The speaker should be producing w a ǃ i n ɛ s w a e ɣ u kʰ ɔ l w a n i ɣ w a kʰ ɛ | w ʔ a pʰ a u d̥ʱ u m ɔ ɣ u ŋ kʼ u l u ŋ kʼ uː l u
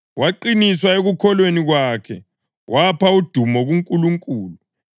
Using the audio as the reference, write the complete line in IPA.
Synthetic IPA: w a ǃ i n i s w a e ɣ u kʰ ɔ l w e n i ɣ w a kʰ ɛ | w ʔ a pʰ a u d̥ʱ u m ɔ ɣ u ŋ kʼ u l u ŋ kʼ uː l u

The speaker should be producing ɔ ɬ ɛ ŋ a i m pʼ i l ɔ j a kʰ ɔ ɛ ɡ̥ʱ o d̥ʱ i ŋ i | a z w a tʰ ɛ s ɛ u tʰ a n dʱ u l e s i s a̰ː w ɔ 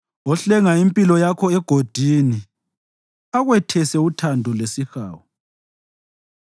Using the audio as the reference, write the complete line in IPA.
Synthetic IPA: ɔ ɬ ɛ ŋ a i m pʼ i l ɔ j a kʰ ɔ ɛ ɡ̥ʱ o d̥ʱ i n i | a ɣ w ɛ tʰ ɛ s ɛ u tʰ a n dʱ u l e s i x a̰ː w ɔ

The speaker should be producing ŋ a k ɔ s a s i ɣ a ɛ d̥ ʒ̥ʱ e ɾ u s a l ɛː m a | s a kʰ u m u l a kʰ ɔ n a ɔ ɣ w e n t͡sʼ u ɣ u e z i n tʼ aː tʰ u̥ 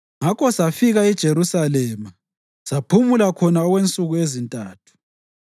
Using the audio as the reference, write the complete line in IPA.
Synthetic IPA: ŋ a k ɔ s a f i ɣ a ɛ d̥ ʒ̥ʱ e ɾ u s a l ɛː m a | s a pʰ u m u l a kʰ ɔ n a ɔ ɣ w e n t͡sʼ u ɣ u e z i n tʼ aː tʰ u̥

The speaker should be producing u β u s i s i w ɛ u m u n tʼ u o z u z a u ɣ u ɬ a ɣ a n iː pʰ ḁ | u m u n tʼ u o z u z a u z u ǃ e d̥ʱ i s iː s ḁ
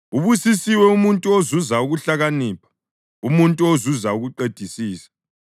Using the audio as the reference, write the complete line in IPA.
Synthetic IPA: u β u s i s i w ɛ u m u n tʼ u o z u z a u ɣ u ɬ a ɣ a n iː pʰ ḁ | u m u n tʼ u o z u z a u ɣ u ǃ e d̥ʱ i s iː s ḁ

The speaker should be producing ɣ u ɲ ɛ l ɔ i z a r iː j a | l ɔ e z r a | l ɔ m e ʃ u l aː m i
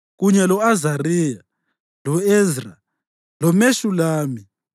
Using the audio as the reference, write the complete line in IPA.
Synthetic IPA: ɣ u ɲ ɛ l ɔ a z a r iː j a | l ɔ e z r a | l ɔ m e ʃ u l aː m i

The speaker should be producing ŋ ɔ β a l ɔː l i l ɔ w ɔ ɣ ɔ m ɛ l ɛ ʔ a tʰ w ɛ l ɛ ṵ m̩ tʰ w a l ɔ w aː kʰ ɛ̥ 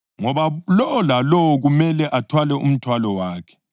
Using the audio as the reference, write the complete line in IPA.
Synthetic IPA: ŋ ɔ β a l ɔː l a l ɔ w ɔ ɣ u m ɛ l ɛ ʔ a tʰ w a l ɛ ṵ m̩ tʰ w a l ɔ w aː kʰ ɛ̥

